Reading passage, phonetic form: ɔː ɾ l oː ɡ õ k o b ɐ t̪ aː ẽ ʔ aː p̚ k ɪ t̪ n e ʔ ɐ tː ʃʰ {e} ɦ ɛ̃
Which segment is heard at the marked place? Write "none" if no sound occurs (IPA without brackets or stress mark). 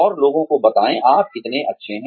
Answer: e